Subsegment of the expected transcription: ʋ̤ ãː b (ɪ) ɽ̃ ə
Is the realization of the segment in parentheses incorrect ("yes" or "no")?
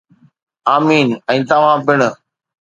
no